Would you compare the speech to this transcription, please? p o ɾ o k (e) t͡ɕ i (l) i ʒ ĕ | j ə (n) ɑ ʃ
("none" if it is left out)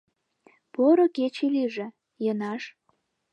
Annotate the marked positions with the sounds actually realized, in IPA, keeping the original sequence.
e, l, n

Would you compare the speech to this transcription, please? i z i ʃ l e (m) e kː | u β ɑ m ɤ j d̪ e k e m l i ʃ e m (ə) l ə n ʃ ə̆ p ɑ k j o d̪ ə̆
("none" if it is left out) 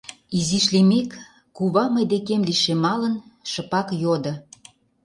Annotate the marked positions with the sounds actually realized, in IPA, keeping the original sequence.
m, ɑ

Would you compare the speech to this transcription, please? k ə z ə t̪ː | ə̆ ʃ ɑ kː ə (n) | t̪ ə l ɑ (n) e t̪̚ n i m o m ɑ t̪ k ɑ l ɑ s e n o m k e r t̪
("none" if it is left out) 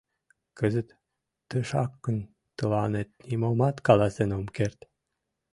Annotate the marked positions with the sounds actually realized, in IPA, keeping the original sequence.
n, n

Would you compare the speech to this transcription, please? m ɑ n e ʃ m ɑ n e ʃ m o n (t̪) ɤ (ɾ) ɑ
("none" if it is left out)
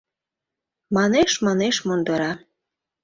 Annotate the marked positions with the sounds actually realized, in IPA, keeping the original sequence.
d̪, ɾ

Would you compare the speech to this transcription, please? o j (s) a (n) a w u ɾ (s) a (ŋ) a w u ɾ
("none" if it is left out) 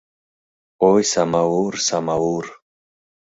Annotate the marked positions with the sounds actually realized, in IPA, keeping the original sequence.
s, m, s, m

